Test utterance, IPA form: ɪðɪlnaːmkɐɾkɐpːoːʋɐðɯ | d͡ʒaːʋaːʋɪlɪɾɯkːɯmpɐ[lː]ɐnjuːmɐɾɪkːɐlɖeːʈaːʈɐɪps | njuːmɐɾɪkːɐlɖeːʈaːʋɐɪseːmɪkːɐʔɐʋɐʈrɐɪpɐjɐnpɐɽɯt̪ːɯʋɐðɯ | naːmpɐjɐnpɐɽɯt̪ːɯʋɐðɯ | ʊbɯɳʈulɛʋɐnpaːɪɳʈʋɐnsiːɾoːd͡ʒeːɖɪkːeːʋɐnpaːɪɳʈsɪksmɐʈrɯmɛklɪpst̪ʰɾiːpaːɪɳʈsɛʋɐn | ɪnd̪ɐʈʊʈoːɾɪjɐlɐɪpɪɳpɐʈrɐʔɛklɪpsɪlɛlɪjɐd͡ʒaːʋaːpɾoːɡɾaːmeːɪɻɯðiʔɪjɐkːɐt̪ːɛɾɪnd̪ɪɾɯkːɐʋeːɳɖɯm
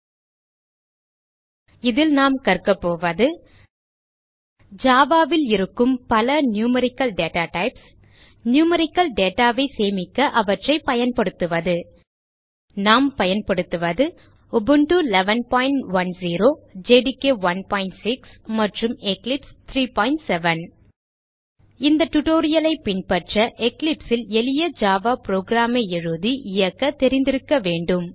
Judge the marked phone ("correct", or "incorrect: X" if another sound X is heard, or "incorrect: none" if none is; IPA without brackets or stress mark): incorrect: l